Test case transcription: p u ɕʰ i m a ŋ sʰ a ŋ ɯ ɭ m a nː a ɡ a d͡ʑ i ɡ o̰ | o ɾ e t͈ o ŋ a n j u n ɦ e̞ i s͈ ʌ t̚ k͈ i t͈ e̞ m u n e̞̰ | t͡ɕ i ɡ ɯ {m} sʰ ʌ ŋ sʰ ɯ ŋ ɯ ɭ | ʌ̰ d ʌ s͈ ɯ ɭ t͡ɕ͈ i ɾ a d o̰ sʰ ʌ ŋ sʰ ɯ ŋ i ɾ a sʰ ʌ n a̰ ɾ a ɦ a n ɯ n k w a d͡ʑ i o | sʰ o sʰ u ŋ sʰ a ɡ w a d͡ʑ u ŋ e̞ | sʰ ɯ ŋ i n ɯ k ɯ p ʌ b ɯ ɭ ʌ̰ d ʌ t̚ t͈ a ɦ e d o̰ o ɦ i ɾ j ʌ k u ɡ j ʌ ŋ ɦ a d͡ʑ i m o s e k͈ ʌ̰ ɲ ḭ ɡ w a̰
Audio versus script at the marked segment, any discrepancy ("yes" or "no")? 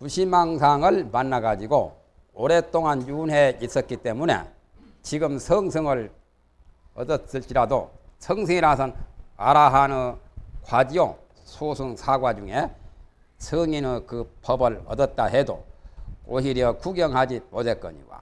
no